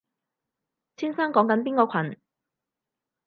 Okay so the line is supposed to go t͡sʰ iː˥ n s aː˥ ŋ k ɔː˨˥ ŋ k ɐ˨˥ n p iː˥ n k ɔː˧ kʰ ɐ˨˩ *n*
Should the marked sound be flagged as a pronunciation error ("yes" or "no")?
no